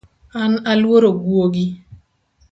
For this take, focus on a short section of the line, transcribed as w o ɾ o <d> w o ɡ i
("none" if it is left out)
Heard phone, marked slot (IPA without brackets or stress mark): ɡ